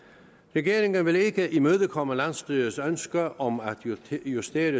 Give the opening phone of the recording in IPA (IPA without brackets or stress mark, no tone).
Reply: ʁ